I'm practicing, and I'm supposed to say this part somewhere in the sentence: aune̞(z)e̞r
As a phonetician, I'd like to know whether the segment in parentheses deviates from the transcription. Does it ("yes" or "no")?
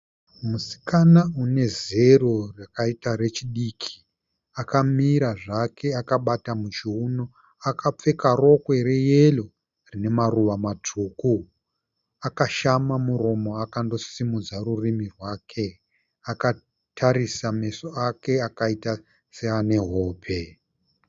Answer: no